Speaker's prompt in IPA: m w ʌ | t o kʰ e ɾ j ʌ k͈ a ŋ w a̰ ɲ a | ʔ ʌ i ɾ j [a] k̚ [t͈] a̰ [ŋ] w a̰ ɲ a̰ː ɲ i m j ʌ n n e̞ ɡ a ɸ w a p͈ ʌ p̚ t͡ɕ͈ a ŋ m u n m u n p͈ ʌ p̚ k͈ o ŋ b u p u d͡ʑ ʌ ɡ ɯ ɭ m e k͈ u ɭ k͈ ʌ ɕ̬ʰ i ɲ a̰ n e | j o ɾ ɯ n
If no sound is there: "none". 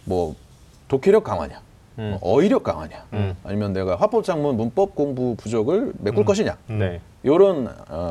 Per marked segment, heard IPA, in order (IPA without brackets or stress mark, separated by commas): ʌ, k͈, ŋ